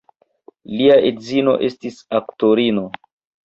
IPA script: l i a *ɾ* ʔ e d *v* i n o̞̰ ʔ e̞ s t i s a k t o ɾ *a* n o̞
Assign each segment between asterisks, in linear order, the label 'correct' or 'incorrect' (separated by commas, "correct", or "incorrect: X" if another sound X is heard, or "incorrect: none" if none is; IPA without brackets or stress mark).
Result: incorrect: none, incorrect: z, incorrect: i